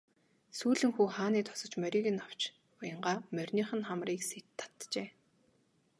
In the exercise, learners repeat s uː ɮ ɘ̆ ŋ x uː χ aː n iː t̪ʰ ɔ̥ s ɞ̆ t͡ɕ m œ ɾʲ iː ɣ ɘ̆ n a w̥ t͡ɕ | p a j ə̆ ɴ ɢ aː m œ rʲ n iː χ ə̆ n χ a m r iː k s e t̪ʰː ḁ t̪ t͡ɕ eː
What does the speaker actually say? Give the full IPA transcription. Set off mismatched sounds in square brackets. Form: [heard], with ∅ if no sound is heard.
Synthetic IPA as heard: s uː ɮ ɘ̆ ŋ x uː χ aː n iː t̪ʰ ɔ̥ s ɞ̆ t͡ɕ m œ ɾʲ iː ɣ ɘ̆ n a w̥ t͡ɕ | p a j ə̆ ɴ ɢ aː m œ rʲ n iː χ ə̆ n χ a m r iː k s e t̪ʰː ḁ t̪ t͡ɕ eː